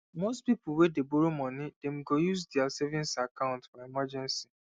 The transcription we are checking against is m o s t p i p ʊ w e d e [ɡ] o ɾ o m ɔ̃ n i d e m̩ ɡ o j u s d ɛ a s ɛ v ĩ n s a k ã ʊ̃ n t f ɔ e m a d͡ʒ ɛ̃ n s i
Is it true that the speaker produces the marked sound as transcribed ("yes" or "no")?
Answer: no